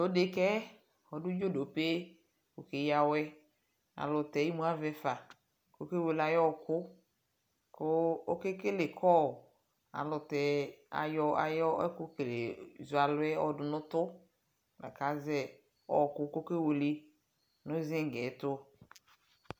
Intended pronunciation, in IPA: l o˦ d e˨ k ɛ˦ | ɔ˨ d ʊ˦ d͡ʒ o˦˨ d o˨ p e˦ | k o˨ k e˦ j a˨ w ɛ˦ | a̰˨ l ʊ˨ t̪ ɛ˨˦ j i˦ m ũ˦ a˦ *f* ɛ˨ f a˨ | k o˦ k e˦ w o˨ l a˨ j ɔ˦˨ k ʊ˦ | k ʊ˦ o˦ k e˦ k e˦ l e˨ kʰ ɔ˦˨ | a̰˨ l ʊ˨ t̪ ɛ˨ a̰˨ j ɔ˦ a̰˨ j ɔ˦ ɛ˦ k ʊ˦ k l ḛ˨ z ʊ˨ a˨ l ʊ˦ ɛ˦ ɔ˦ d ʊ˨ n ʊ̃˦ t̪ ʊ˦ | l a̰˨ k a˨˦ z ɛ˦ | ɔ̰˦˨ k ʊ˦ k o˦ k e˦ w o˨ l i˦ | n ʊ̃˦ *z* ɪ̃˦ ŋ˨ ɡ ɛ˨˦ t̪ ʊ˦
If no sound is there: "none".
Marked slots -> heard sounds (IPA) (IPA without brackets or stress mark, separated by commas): v, z